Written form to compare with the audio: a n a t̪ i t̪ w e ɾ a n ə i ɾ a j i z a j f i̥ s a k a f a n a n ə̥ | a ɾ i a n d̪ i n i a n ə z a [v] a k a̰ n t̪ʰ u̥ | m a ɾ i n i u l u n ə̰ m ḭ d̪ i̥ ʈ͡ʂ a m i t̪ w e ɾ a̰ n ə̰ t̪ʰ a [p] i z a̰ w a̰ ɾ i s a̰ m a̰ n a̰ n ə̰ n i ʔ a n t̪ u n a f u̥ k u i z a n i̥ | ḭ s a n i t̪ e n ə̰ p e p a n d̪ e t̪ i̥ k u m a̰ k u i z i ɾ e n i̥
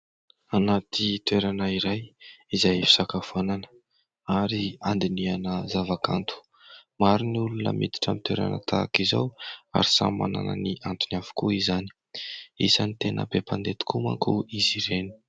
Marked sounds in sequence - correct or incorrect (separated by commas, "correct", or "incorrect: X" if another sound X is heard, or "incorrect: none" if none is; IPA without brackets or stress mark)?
correct, incorrect: k